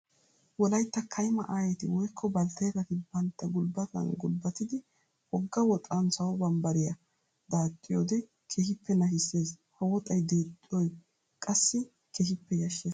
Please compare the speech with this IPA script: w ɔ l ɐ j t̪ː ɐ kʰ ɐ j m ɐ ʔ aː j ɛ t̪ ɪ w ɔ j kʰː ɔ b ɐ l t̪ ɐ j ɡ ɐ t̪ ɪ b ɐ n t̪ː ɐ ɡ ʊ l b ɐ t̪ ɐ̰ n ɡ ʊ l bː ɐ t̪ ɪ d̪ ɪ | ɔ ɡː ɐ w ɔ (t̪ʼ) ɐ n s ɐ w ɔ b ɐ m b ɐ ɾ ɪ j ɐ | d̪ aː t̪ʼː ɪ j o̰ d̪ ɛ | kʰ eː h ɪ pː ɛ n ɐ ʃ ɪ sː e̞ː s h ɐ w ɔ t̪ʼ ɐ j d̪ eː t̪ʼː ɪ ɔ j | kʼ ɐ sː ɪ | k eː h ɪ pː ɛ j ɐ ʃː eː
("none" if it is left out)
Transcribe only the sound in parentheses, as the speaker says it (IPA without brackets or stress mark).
t̪ʼ